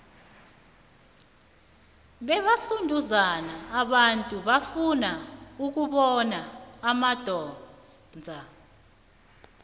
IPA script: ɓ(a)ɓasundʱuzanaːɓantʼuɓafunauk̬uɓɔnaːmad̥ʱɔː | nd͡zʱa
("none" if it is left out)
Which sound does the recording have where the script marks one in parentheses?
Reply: ɛ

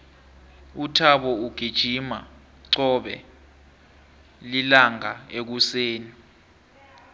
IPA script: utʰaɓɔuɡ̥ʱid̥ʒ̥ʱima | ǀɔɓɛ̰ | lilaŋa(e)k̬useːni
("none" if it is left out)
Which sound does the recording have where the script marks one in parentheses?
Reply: e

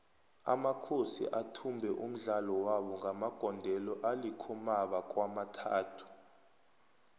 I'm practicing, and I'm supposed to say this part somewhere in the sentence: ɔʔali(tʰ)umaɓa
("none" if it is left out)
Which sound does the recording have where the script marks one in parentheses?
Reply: kʰ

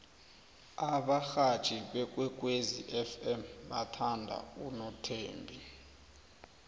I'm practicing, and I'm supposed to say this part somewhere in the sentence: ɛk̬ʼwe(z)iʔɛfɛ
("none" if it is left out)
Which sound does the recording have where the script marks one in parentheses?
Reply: z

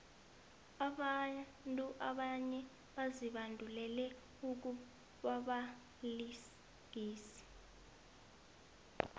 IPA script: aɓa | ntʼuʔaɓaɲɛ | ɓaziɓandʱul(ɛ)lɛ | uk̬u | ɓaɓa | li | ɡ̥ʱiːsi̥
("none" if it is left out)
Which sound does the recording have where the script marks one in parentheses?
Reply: ɛ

